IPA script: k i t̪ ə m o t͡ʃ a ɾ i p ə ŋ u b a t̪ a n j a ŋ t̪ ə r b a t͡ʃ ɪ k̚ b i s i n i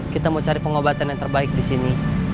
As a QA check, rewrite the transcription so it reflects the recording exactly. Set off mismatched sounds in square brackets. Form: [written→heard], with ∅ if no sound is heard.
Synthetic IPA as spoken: k i t̪ [ə→a] m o t͡ʃ a ɾ i p ə ŋ [u→o] b a t̪ a n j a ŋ t̪ ə r b a [t͡ʃ→∅] ɪ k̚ [b→d] i s i n i